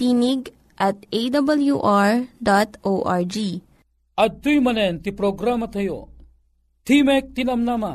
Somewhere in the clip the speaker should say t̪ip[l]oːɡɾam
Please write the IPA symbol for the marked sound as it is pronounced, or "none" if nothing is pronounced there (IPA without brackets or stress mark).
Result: ɾ